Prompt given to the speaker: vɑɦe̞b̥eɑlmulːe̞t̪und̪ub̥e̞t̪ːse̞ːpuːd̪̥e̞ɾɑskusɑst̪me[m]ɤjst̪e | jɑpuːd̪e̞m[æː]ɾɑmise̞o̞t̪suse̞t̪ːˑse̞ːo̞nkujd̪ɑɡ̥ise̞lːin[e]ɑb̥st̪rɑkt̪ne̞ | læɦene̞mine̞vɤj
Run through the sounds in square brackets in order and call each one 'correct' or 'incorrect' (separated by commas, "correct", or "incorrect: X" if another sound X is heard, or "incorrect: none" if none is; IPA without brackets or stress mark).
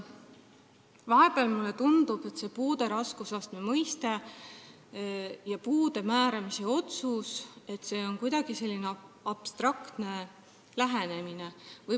correct, correct, correct